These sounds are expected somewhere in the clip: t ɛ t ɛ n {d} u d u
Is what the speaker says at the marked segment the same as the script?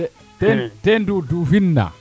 yes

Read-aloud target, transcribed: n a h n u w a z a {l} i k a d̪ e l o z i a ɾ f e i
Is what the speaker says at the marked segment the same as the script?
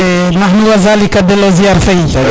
yes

